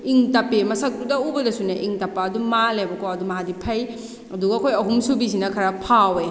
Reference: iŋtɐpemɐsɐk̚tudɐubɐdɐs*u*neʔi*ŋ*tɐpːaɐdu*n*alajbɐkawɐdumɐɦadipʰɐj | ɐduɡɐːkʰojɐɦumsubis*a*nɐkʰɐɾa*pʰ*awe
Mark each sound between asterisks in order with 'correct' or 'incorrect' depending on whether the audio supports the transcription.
correct, correct, incorrect: m, incorrect: i, correct

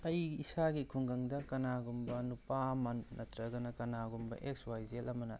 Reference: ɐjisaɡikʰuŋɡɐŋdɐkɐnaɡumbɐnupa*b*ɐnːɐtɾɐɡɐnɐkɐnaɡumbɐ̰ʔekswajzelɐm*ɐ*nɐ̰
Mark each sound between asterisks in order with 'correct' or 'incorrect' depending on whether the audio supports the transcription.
incorrect: m, correct

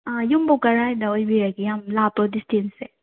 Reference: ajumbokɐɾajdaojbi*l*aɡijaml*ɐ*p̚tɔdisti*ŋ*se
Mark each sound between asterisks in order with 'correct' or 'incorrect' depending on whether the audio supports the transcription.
incorrect: ɾ, incorrect: a, incorrect: n

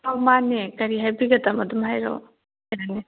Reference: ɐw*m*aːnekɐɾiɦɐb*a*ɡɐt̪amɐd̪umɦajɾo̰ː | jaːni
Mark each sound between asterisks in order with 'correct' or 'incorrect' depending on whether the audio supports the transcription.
correct, incorrect: i

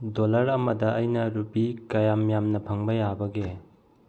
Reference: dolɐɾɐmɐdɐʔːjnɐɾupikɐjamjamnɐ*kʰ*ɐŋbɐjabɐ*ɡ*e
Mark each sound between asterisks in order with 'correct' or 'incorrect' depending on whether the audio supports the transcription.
incorrect: pʰ, correct

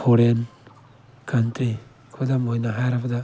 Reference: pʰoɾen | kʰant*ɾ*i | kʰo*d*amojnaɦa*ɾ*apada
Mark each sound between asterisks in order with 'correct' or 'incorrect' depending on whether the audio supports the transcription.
correct, correct, correct

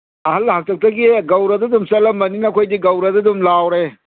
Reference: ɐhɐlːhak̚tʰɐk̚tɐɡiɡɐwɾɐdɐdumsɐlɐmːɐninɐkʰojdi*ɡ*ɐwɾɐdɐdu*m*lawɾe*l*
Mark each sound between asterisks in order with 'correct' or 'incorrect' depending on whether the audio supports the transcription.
correct, correct, incorrect: none

